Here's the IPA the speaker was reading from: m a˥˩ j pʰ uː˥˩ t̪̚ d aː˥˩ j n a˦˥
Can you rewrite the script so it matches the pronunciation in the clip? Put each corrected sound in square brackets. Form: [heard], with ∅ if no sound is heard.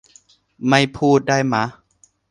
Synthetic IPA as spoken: m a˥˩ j pʰ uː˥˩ t̪̚ d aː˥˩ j [m] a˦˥